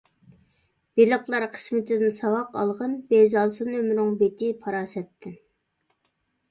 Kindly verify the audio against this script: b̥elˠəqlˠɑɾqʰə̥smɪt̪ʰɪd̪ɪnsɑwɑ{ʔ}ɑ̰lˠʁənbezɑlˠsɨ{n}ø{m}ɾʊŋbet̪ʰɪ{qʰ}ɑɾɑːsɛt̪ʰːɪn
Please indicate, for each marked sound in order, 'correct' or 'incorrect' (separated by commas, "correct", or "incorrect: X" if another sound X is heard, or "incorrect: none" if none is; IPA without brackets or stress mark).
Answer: incorrect: q, correct, correct, incorrect: pʰ